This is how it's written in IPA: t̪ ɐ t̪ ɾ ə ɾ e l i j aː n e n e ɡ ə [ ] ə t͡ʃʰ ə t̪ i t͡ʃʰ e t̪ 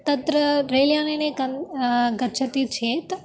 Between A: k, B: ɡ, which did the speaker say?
B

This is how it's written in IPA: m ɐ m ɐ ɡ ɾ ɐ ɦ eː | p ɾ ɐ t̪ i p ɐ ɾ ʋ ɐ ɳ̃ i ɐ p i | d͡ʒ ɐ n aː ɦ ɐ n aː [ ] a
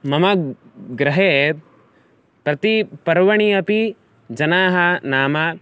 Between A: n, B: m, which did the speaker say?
B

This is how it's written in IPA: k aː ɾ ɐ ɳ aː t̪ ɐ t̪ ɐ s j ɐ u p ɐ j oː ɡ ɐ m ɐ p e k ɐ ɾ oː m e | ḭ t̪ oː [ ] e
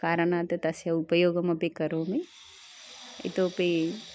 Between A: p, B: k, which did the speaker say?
A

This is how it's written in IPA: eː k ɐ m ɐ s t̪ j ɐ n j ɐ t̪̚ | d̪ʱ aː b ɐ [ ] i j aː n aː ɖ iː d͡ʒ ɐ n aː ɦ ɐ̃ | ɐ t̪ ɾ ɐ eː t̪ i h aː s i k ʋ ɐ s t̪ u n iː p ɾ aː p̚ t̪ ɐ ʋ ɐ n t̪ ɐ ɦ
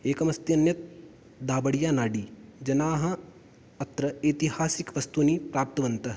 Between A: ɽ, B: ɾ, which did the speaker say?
A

